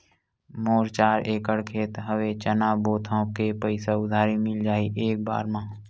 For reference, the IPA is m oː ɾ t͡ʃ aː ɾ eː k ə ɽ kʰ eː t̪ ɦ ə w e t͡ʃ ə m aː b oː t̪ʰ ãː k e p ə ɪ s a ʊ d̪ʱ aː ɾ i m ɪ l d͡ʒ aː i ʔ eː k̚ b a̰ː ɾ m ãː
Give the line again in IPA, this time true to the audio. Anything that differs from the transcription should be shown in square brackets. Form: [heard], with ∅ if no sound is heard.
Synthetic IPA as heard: m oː ɾ t͡ʃ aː ɾ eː k ə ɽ kʰ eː t̪ ɦ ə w e t͡ʃ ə [n] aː b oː t̪ʰ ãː k e p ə ɪ s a ʊ d̪ʱ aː ɾ i m ɪ l d͡ʒ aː i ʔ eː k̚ b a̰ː ɾ m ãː